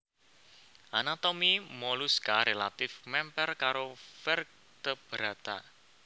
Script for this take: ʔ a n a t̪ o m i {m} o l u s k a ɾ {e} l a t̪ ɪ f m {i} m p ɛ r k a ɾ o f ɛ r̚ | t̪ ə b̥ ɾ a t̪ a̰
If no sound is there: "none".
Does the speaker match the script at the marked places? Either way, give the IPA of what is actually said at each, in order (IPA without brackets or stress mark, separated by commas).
m, e, ɛ